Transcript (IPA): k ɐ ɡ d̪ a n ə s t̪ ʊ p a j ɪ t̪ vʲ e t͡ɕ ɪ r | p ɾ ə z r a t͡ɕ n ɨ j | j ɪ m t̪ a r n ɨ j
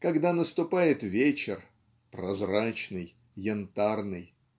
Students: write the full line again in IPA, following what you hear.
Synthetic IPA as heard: k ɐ ɡ d̪ a n ə s t̪ ʊ p a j ɪ t̪ vʲ e t͡ɕ ɪ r | p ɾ ɐ z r a t͡ɕ n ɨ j | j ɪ n t̪ a r n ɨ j

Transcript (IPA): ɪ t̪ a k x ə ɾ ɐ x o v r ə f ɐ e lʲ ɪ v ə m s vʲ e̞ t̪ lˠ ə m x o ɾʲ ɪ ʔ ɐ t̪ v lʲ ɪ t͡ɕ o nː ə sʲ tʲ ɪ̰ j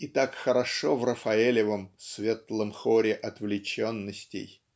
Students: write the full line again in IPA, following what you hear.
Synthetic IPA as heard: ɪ t̪ a k x ə ɾ ɐ ʂ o v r ə f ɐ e lʲ ɪ v ə m s vʲ e̞ t̪ lˠ ə m x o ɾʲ ɪ ʔ ɐ t̪ v lʲ ɪ t͡ɕ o nː ə sʲ tʲ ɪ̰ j

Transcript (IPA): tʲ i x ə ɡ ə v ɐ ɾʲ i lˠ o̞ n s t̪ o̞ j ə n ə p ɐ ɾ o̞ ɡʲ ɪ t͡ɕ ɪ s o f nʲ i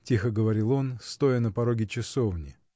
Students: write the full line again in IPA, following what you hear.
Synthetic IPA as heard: tʲ i x ə ɡ ə v ɐ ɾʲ i lˠ o̞ n s t̪ o̞ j ə n ə p ɐ ɾ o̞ ɡʲ ɪ t͡ɕ ɪ s o v nʲ ɪ

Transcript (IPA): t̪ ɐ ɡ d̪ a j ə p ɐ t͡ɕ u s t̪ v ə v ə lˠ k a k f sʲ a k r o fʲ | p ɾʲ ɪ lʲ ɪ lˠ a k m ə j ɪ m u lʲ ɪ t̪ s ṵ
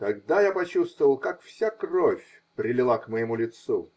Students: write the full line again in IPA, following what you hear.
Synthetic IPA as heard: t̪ ɐ ɡ d̪ a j a p ɐ t͡ɕ u s t̪ v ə v ə lˠ k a k f sʲ a k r o fʲ | p ɾʲ ɪ lʲ ɪ lˠ a k m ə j ɪ m u lʲ ɪ t̪ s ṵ

